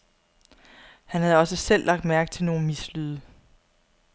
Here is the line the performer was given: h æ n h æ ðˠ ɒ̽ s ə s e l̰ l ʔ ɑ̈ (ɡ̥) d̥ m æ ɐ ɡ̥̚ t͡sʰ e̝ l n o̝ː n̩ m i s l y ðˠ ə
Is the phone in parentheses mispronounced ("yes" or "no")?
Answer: no